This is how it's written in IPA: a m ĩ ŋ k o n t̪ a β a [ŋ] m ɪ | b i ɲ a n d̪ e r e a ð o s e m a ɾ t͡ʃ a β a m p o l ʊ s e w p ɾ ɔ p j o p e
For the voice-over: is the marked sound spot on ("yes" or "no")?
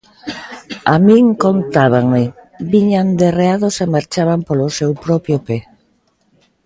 yes